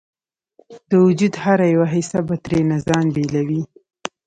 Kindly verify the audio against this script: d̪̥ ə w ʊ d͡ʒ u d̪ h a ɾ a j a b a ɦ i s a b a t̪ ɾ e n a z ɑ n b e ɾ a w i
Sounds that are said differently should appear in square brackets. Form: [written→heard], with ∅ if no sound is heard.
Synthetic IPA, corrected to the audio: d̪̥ ə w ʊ d͡ʒ u d̪ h a ɾ a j a [b→w] a ɦ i s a b a t̪ ɾ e n a z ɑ n b e [ɾ→l] a w i